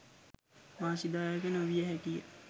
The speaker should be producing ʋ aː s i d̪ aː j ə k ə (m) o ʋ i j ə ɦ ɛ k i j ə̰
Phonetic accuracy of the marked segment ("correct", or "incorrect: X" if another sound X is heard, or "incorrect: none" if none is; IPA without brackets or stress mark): incorrect: n